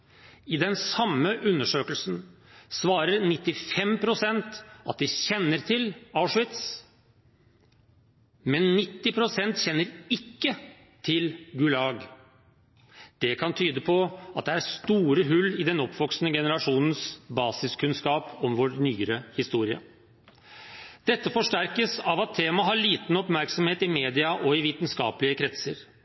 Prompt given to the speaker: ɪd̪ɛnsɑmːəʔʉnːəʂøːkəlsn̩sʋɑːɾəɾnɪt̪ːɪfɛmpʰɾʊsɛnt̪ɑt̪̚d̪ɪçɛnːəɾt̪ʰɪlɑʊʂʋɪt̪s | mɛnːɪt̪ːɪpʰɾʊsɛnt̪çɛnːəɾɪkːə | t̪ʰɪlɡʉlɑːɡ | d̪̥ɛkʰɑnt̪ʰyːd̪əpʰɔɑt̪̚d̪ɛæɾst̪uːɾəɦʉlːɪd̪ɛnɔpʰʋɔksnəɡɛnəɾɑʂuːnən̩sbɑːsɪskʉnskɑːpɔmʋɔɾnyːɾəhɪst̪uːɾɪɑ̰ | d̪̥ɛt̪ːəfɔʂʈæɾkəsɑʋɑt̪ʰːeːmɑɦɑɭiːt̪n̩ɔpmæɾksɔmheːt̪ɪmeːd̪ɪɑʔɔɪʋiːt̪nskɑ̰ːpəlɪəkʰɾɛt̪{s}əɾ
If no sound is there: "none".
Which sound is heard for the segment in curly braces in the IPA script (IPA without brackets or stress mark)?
s